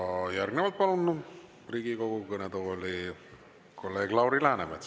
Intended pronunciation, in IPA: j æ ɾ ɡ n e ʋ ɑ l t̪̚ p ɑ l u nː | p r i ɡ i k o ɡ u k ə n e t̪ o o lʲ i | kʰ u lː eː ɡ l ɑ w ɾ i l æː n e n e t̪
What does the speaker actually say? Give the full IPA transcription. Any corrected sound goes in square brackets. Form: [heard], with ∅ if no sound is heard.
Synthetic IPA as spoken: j æ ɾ ɡ n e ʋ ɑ l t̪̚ p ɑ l u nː | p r i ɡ i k o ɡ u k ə n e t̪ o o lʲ i | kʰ [o] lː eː ɡ l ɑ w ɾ i l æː n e [m] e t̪